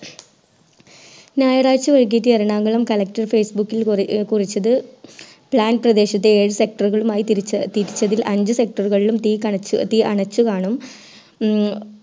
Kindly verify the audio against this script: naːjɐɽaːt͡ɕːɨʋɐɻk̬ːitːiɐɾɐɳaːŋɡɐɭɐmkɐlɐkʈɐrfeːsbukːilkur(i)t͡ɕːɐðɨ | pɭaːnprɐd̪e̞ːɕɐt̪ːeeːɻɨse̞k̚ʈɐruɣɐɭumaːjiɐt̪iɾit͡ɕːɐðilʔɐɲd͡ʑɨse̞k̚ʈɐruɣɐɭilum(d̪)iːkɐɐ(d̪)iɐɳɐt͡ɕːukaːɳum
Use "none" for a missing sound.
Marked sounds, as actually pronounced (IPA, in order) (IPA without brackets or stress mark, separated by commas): i, t̪, t̪